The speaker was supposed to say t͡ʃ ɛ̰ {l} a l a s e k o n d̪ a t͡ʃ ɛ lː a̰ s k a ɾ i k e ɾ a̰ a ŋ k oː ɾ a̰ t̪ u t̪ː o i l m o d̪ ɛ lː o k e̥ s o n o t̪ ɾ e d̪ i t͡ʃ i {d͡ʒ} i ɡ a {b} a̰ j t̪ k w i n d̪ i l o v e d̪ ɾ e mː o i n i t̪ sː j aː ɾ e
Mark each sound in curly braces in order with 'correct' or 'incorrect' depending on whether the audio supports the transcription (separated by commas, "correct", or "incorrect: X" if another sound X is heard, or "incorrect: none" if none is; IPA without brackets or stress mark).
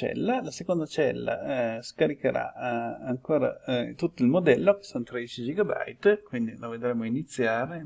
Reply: incorrect: lː, correct, correct